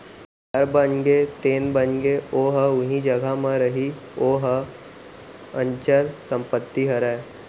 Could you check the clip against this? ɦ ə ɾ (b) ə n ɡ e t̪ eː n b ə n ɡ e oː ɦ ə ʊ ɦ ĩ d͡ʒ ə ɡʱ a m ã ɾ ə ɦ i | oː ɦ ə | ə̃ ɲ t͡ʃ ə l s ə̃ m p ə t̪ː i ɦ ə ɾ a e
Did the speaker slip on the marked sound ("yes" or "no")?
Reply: no